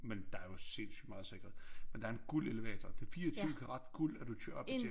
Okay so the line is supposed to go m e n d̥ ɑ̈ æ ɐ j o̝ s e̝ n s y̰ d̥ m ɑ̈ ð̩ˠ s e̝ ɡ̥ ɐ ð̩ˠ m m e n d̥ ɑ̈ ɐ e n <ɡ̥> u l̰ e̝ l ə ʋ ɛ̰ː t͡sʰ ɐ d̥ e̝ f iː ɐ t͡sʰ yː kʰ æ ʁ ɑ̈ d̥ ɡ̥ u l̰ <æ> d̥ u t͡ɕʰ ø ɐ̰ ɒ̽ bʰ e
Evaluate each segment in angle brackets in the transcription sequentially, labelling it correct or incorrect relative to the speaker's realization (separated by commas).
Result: correct, correct